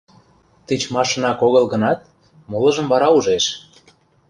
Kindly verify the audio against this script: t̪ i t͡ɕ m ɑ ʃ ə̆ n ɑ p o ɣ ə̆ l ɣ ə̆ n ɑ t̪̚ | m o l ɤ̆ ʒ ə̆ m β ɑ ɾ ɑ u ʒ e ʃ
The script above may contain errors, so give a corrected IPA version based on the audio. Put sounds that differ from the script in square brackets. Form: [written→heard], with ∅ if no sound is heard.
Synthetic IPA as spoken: t̪ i t͡ɕ m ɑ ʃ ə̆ n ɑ [p→k] o ɣ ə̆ l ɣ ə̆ n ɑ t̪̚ | m o l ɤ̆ ʒ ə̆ m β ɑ ɾ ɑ u ʒ e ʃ